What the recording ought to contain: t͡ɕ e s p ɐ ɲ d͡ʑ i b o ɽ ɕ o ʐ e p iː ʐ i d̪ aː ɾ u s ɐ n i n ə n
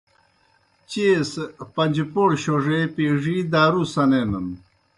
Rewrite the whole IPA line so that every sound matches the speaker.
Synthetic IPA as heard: t͡ɕ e s p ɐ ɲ d͡ʑ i p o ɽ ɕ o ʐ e p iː ʐ i d̪ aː ɾ u s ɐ n e n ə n